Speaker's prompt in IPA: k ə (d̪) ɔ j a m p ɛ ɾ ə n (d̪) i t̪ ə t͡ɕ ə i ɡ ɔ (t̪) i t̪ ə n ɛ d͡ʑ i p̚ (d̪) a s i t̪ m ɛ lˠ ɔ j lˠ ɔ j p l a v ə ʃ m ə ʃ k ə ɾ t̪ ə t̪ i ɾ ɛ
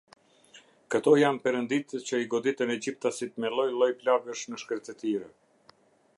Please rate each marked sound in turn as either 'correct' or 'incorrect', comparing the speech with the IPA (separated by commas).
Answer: incorrect, correct, incorrect, incorrect